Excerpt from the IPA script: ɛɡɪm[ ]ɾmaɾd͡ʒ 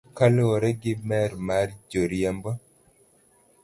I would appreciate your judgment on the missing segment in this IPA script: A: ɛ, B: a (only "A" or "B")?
A